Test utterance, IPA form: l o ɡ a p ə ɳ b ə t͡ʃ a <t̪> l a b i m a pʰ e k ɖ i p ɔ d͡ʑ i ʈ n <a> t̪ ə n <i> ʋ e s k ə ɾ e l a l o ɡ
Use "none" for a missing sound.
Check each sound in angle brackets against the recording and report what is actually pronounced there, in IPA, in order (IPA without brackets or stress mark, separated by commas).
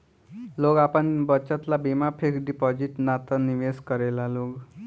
t̪, a, i